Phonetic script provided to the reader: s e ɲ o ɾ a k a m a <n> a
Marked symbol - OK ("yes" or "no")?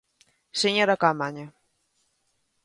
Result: no